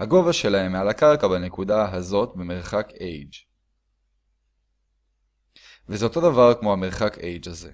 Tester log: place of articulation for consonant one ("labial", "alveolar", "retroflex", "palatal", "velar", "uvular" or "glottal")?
glottal